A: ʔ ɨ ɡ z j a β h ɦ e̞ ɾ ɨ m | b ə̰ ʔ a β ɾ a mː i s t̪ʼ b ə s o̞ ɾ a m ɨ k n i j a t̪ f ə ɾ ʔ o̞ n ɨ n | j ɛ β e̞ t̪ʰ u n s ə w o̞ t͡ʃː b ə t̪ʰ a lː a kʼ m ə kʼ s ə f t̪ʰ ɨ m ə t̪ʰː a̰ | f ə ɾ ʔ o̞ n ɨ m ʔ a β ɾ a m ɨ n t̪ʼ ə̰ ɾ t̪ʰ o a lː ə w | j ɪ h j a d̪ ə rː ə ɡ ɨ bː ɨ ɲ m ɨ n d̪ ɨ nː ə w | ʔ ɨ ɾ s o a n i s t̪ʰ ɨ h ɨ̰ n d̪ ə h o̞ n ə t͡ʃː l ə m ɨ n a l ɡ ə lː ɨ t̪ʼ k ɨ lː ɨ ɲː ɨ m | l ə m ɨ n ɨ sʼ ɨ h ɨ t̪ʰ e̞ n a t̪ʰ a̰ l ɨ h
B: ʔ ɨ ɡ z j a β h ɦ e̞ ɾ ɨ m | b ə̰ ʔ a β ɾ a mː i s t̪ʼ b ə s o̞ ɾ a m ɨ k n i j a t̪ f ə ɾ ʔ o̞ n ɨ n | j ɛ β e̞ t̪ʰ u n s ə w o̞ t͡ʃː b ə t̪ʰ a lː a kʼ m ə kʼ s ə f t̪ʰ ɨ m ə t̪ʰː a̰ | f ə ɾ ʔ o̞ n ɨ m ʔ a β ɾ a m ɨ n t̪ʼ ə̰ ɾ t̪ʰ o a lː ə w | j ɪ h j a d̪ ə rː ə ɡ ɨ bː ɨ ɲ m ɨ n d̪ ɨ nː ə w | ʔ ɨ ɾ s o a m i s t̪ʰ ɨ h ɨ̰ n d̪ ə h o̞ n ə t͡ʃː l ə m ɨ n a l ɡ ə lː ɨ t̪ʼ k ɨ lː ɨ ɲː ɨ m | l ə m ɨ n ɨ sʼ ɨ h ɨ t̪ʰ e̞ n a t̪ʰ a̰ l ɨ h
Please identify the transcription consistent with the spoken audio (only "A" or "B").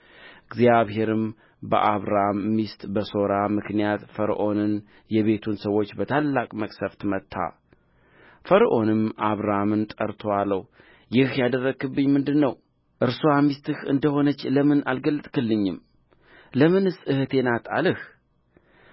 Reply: B